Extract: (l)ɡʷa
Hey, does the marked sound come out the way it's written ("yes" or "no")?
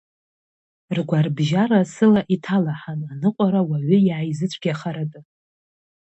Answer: no